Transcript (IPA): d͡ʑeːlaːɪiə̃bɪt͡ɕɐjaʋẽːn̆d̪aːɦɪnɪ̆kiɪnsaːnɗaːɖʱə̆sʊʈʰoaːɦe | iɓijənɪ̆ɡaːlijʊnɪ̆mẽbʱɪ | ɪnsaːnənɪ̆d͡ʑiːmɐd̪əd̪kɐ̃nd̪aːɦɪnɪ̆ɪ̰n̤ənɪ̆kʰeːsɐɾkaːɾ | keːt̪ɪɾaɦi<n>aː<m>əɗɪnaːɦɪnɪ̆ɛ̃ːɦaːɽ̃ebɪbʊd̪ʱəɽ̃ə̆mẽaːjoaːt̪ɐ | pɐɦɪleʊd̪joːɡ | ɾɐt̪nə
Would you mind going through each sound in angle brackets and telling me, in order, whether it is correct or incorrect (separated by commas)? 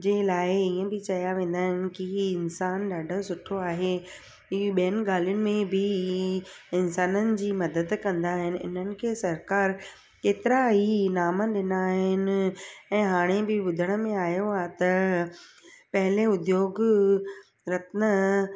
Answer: correct, correct